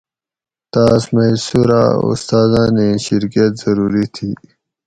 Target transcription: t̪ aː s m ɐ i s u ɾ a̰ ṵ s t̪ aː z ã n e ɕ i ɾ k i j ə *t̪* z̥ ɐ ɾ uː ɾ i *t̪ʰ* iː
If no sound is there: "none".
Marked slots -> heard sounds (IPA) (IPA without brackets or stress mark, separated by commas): t̪, t̪ʰ